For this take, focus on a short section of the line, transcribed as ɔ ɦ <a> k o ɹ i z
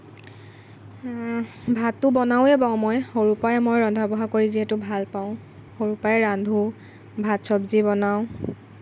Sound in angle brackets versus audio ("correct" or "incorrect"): correct